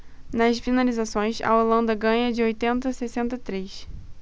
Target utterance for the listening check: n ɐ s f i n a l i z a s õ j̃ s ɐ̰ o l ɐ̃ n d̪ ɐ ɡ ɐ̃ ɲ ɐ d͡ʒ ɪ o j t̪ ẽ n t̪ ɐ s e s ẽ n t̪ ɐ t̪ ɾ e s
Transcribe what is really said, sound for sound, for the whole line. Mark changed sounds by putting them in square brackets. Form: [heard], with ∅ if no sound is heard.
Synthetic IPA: n ɐ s f i n a l i z a s õ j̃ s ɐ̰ o l ɐ̃ n d̪ ɐ ɡ ɐ̃ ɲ ɐ d͡ʒ ɪ o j t̪ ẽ n t̪ ɐ s e s ẽ n t̪ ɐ t̪ ɾ e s

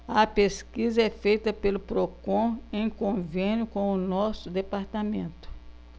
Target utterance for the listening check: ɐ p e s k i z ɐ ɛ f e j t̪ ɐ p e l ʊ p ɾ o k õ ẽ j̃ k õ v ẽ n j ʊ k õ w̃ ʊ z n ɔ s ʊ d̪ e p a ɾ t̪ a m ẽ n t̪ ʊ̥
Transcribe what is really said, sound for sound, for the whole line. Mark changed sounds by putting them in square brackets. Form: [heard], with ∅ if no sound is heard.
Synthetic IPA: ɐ p e s k i z ɐ ɛ f e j t̪ ɐ p e l ʊ p ɾ o k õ ẽ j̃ k õ v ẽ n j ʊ k õ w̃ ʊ [∅] n ɔ s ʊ d̪ e p a ɾ t̪ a m ẽ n t̪ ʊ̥

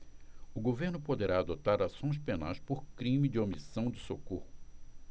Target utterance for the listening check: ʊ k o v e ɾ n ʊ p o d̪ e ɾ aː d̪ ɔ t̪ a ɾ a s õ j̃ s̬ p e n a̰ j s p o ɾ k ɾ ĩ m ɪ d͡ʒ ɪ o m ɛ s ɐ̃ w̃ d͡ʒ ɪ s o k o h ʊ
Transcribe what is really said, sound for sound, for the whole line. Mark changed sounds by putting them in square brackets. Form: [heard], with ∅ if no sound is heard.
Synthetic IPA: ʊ [ɡ] o v e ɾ n ʊ p o d̪ e ɾ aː d̪ [o] t̪ a ɾ a s õ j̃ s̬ p e n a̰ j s p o ɾ k ɾ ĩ m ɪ d͡ʒ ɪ o m [i] s ɐ̃ w̃ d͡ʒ ɪ s o k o h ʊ

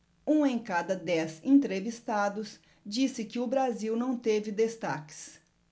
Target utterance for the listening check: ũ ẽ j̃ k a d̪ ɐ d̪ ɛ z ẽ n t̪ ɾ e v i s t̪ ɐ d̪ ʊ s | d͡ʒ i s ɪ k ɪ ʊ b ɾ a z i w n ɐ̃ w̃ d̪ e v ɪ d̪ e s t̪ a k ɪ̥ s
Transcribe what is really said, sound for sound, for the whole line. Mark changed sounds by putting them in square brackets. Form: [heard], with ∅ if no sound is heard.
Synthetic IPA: ũ ẽ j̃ k a d̪ ɐ d̪ ɛ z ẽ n t̪ ɾ e v i s t̪ [a] d̪ ʊ s | d͡ʒ i s ɪ k ɪ ʊ b ɾ a z i w n ɐ̃ w̃ [t̪] e v ɪ d̪ e s t̪ a k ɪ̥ s

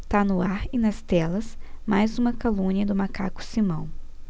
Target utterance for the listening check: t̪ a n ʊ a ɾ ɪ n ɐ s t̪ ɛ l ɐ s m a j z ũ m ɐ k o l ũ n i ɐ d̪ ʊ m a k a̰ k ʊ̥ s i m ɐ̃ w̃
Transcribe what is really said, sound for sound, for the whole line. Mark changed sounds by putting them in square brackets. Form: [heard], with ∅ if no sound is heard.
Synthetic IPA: t̪ a n ʊ a ɾ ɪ n ɐ s t̪ ɛ l ɐ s m a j z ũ m ɐ k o l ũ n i ɐ d̪ ʊ m a k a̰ k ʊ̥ s i m ɐ̃ w̃

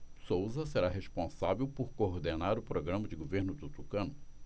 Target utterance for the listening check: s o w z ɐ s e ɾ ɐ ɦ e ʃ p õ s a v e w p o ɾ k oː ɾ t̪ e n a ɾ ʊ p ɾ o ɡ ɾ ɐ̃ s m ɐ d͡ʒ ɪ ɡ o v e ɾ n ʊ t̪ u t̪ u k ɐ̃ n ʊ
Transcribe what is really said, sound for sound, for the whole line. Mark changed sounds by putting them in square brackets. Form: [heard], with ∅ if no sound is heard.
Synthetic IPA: s o w z ɐ s e ɾ [a] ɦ e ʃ p õ s a v e w p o ɾ k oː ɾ [d̪] e n a ɾ ʊ p ɾ o ɡ ɾ ɐ̃ [∅] m ɐ d͡ʒ ɪ ɡ o v e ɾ n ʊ t̪ u t̪ u k ɐ̃ n ʊ

